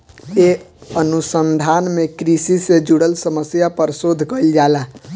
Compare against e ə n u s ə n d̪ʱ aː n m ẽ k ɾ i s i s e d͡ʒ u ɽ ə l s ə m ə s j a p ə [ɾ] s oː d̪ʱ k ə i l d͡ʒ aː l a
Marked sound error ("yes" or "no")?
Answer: no